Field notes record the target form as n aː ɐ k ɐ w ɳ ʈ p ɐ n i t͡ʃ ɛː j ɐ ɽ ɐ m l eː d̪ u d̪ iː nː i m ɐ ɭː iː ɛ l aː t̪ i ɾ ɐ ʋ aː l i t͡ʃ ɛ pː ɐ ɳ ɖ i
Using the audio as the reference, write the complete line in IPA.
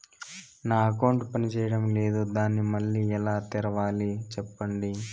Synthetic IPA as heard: n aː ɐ k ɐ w ɳ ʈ p ɐ n i t͡ʃ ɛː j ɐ ɽ ɐ m l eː d̪ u d̪ aː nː i m ɐ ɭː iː ɛ l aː t̪ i ɾ ɐ ʋ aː l i t͡ʃ ɛ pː ɐ ɳ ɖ i